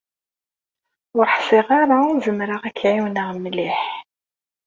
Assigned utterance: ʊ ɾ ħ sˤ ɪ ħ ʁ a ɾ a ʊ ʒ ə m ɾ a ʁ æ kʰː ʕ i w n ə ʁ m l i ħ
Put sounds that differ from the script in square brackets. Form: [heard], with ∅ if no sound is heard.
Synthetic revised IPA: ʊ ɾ ħ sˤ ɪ [∅] ʁ a ɾ a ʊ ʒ ə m ɾ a ʁ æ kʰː ʕ i w n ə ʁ m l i ħ